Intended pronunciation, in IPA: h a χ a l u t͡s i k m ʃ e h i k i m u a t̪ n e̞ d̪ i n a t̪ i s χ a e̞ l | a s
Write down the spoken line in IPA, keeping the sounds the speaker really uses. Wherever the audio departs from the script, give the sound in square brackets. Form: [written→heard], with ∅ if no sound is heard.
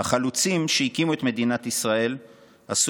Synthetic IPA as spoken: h a χ a l u t͡s i [k→∅] m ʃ e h i k i m u [a→e] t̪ [n→m] e̞ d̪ i n a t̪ i s [χ→ʁ] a e̞ l | a s